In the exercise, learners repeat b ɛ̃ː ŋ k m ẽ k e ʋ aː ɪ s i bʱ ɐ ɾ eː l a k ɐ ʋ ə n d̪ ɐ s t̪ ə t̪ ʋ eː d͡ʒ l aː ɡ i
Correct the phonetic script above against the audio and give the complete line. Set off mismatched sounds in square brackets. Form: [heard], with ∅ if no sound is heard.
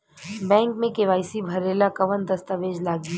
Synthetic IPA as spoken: b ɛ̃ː ŋ k m ẽ k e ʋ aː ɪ s i bʱ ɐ ɾ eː l a k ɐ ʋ ə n d̪ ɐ s t̪ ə [∅] ʋ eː d͡ʒ l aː ɡ i